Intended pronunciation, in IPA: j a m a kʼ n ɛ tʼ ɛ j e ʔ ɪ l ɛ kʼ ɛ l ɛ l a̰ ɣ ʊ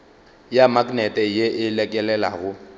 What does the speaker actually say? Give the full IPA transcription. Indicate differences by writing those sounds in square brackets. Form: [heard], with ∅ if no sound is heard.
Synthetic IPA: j a m a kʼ n ɛ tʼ ɛ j e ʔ ɪ l ɛ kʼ ɛ l ɛ l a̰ ɣ ʊ